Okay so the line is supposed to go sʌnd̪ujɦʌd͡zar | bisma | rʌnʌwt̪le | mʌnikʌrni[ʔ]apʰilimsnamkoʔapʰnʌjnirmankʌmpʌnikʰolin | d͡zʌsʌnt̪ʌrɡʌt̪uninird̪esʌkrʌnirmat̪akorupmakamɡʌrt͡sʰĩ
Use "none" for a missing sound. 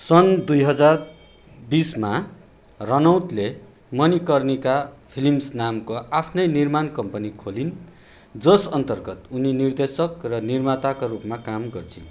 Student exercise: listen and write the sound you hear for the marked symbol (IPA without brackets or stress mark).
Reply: k